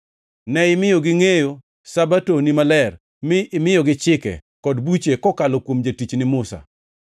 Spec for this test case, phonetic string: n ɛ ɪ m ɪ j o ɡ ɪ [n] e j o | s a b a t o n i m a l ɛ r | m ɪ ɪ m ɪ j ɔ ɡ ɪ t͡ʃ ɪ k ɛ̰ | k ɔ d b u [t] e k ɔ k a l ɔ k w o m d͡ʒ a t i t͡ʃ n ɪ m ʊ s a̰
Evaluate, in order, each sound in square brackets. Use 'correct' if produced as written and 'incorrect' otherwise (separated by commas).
incorrect, incorrect